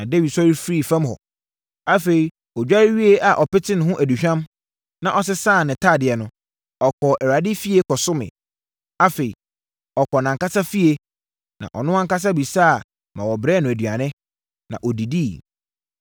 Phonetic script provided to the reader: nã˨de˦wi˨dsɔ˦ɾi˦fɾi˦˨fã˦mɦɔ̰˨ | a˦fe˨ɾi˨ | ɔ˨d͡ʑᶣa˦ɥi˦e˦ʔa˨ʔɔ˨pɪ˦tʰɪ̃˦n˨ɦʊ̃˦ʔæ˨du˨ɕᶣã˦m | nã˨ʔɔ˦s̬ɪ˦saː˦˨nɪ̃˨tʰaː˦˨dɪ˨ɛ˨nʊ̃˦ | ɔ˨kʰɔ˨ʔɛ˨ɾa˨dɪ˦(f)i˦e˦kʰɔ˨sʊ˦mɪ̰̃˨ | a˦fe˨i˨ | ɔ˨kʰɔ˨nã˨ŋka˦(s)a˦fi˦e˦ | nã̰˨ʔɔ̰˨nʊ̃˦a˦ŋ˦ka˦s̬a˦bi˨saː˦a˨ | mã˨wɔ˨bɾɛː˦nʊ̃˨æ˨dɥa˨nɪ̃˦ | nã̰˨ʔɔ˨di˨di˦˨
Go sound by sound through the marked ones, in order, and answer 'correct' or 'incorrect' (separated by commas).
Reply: correct, correct